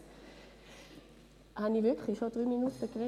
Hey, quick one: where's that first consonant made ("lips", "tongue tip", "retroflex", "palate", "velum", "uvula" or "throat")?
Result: throat